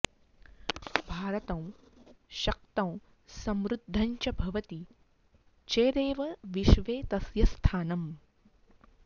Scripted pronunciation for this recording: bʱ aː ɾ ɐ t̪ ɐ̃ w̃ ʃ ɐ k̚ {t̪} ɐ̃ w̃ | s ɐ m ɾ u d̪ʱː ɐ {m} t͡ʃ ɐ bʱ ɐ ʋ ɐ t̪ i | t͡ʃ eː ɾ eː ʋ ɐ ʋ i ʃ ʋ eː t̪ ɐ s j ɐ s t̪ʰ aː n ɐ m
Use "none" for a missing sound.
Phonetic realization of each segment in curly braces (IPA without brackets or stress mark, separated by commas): t̪, ɲ